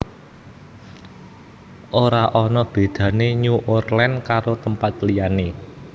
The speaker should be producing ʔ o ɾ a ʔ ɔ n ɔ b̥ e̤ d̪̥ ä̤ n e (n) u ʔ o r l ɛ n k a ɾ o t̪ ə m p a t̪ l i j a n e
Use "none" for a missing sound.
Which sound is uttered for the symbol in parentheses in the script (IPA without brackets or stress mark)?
ɲ